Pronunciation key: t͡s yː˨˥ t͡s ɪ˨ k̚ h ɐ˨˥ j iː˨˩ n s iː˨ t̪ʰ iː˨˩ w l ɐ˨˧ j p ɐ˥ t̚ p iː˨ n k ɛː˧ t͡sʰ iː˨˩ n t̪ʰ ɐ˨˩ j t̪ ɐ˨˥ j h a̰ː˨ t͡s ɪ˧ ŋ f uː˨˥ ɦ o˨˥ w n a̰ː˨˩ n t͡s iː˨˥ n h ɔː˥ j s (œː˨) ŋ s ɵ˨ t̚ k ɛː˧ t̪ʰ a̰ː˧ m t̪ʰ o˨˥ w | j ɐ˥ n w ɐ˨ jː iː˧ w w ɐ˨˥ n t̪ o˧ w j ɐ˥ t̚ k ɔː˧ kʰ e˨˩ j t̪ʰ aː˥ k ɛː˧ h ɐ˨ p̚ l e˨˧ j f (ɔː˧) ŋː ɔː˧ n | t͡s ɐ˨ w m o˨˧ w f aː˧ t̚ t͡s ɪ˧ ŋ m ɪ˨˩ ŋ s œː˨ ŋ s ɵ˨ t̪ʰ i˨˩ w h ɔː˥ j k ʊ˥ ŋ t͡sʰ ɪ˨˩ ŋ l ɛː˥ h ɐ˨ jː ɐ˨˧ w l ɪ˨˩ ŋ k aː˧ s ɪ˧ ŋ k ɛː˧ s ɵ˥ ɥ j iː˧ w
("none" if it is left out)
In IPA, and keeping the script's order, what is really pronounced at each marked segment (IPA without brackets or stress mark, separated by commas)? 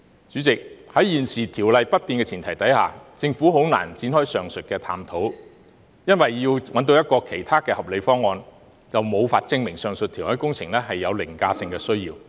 œː˨, ɔː˥